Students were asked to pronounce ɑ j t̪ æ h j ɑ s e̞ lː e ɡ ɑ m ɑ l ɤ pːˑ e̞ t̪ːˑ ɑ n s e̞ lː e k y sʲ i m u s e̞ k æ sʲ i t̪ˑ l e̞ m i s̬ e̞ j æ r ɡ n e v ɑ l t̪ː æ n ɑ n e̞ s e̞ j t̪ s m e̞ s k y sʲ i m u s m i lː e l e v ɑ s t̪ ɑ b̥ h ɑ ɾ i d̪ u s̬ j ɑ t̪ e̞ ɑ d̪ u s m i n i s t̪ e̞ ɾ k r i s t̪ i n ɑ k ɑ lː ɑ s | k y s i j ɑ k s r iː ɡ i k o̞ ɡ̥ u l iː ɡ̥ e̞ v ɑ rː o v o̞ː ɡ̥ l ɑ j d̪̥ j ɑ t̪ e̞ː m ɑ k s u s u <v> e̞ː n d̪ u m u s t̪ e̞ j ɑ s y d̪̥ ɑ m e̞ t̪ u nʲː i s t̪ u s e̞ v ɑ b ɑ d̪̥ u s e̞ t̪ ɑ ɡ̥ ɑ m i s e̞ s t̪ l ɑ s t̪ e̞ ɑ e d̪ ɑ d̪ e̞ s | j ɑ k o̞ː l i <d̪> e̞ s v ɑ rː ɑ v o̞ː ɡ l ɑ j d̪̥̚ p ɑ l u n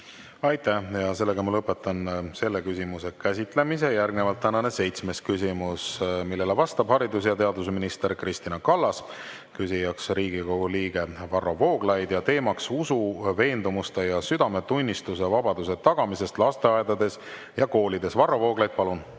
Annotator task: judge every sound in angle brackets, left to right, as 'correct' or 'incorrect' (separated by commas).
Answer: correct, correct